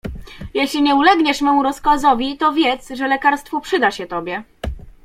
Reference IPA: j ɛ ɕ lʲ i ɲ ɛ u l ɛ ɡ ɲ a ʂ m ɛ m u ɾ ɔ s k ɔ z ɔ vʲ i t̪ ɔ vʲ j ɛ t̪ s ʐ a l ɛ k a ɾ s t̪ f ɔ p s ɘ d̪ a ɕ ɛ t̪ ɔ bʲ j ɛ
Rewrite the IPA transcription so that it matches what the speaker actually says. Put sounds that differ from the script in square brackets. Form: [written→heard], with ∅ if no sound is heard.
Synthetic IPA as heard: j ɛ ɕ lʲ i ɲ ɛ u l ɛ ɡ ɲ [a→ɛ] ʂ m ɛ m u ɾ ɔ s k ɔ z ɔ vʲ i t̪ ɔ vʲ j ɛ t̪ s ʐ [a→ɛ] l ɛ k a ɾ s t̪ f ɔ p [s→ʂ] ɘ d̪ a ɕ ɛ t̪ ɔ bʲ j ɛ